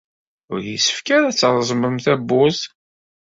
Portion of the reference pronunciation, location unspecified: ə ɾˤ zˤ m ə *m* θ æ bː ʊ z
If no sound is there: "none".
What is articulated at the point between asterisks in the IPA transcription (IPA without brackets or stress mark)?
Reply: m